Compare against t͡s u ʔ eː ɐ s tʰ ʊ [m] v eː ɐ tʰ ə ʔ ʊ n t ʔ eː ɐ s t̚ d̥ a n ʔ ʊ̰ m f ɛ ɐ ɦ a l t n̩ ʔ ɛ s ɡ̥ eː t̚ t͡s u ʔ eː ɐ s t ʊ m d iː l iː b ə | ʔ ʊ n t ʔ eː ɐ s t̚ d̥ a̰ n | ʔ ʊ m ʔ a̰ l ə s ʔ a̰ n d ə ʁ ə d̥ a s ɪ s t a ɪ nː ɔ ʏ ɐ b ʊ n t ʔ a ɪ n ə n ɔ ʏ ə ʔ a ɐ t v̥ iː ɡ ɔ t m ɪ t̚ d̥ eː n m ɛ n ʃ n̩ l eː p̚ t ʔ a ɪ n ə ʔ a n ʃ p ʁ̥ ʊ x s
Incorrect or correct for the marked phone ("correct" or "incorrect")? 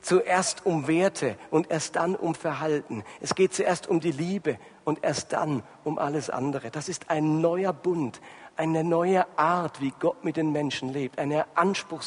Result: correct